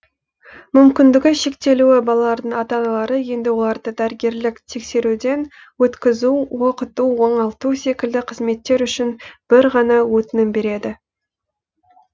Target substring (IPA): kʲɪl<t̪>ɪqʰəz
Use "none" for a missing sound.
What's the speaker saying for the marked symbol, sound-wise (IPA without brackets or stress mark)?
d̪